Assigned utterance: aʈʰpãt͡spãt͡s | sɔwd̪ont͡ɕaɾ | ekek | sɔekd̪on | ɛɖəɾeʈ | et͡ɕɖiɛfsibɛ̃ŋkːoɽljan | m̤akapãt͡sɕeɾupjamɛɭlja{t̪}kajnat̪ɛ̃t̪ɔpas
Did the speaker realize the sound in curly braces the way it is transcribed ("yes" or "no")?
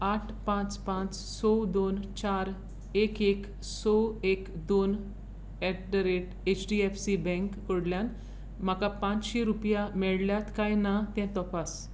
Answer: yes